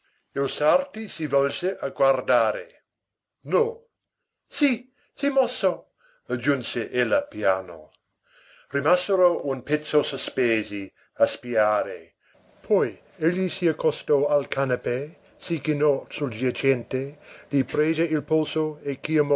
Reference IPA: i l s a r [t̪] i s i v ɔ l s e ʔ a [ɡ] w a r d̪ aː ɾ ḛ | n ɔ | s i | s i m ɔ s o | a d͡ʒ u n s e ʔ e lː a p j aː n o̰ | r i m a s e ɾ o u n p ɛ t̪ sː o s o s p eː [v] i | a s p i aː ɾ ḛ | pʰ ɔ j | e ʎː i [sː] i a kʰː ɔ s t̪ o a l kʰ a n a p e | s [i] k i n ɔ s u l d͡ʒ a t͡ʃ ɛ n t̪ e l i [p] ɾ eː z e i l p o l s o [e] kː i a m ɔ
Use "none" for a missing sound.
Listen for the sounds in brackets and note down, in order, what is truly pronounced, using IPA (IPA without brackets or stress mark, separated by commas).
t̪, ɡ, z, s, i, p, e